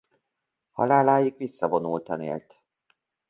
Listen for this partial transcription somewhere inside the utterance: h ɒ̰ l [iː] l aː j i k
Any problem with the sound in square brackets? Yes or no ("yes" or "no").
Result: yes